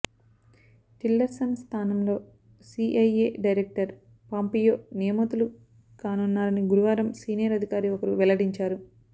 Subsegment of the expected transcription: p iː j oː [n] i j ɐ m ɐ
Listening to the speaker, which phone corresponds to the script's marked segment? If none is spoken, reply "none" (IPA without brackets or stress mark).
n